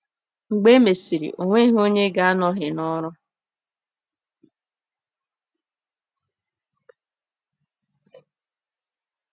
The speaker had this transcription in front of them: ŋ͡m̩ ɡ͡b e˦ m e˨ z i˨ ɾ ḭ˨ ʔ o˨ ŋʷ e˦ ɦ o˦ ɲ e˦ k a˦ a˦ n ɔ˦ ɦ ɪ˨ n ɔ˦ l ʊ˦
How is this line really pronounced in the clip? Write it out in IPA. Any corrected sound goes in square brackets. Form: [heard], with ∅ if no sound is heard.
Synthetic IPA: ŋ͡m̩ ɡ͡b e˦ m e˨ [s] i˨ ɾ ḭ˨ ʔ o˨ ŋʷ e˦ ɦ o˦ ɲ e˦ [ɡ] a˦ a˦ n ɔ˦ ɦ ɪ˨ n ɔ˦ [ɾ] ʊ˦